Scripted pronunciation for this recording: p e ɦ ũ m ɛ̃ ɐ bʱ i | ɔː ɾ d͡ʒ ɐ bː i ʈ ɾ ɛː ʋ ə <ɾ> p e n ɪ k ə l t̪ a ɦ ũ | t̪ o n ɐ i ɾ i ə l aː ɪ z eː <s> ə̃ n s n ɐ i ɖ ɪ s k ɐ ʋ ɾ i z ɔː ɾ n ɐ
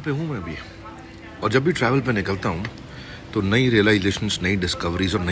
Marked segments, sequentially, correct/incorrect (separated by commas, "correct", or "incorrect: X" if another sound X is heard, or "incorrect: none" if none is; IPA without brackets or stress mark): incorrect: l, incorrect: ʃ